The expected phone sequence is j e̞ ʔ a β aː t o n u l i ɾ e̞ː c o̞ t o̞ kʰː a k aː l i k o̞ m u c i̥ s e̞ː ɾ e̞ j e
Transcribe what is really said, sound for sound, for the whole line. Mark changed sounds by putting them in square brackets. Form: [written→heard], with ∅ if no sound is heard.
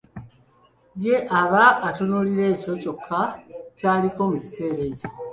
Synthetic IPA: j e̞ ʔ a β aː t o n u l i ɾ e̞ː c o̞ [t→c] o̞ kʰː a [k→c] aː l i k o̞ m u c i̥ s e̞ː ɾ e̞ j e